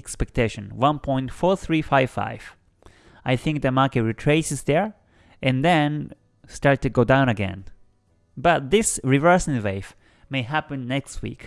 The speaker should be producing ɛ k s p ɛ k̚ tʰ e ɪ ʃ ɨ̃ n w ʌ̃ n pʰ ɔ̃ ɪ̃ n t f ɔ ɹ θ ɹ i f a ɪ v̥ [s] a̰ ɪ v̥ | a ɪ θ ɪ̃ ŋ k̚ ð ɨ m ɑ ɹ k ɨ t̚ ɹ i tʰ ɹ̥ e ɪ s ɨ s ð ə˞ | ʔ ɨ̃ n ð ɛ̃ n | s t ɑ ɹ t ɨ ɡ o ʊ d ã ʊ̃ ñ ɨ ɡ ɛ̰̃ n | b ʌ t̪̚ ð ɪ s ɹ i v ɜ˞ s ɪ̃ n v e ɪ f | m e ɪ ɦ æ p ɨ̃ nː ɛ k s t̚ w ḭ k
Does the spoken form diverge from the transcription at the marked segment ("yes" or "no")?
yes